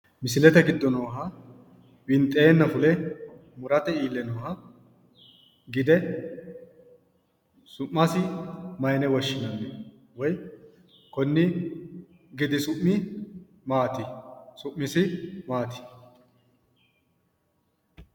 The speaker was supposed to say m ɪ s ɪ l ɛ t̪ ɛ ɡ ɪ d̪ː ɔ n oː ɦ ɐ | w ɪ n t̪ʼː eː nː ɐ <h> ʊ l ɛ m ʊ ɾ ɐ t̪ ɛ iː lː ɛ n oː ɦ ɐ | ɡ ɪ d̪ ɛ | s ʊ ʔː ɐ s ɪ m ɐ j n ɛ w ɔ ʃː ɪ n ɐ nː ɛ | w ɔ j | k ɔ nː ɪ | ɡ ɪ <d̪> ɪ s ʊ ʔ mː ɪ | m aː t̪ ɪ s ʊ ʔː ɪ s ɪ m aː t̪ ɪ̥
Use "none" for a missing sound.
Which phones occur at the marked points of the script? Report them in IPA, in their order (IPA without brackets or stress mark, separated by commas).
f, d̪